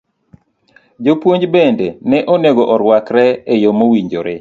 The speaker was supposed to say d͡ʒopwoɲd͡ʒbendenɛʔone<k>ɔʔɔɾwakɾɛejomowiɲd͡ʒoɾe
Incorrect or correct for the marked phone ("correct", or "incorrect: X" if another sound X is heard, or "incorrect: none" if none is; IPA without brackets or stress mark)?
incorrect: ɡ